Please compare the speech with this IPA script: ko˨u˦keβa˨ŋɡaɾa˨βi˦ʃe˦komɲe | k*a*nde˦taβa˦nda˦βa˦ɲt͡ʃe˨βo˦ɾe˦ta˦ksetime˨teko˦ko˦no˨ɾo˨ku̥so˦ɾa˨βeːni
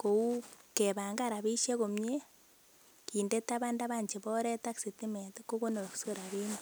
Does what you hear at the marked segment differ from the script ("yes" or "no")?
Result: yes